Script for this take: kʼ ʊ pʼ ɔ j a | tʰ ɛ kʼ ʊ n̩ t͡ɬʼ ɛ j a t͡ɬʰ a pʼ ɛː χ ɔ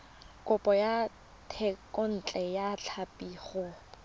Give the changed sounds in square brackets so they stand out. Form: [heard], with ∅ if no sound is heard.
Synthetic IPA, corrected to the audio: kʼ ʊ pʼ ɔ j a | tʰ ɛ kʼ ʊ n̩ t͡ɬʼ ɛ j a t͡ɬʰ a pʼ [iː] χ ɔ